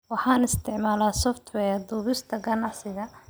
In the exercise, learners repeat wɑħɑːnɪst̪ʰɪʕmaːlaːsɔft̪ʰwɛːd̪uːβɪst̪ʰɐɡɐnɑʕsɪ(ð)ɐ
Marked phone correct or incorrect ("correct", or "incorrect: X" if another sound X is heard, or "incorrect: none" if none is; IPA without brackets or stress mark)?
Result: incorrect: ɣ